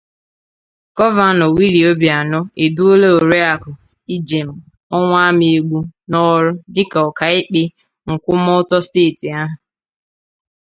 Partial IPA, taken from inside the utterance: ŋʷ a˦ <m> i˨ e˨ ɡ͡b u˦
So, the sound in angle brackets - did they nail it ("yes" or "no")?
yes